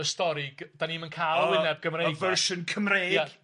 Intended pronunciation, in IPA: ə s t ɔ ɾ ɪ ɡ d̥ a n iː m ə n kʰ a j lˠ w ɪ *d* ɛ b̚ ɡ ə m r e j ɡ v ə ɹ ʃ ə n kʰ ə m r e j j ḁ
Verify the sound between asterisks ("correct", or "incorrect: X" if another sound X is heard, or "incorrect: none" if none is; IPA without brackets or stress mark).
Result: incorrect: n